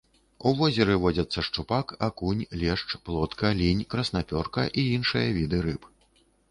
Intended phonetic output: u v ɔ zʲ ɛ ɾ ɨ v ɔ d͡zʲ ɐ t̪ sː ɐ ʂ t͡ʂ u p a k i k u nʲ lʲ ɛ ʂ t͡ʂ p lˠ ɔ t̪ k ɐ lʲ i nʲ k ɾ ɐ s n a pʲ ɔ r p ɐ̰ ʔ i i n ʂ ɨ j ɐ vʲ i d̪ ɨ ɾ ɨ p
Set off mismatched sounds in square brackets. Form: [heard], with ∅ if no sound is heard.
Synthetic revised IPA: u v ɔ zʲ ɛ ɾ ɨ v ɔ d͡zʲ ɐ t̪ sː ɐ ʂ t͡ʂ u p a k [a] k u nʲ lʲ ɛ ʂ t͡ʂ p lˠ ɔ t̪ k ɐ lʲ i nʲ k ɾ ɐ s n a pʲ ɔ r [k] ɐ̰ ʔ i i n ʂ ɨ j ɐ vʲ i d̪ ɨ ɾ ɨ p